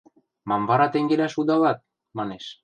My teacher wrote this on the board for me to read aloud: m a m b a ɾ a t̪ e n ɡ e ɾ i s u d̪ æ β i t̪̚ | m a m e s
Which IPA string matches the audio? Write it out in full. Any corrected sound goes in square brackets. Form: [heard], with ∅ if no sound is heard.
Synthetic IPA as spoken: m a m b a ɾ a t̪ e [ŋ] ɡ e ɾ [a] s u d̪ [a] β [a] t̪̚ | m a [n] e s